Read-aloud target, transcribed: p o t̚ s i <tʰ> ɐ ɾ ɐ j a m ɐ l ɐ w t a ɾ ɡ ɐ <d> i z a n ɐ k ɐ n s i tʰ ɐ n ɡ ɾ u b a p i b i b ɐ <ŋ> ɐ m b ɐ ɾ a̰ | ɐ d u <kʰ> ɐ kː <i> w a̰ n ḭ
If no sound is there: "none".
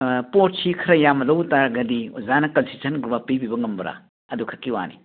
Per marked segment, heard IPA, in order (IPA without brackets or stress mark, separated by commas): kʰ, d, ŋ, kʰ, i